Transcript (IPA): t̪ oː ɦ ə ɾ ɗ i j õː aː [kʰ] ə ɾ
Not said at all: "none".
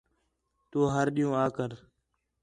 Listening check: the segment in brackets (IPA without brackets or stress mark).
k